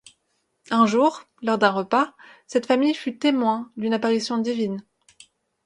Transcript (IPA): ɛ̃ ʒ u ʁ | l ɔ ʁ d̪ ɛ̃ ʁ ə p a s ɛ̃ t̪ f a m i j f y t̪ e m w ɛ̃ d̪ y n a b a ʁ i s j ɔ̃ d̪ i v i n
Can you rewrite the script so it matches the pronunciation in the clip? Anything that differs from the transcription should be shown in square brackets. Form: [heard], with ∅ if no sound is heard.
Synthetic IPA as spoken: ɛ̃ ʒ u ʁ | l ɔ ʁ d̪ ɛ̃ ʁ ə p a s [ɛ] t̪ f a m i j f y t̪ e m w ɛ̃ d̪ y n a [p] a ʁ i s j ɔ̃ d̪ i v i n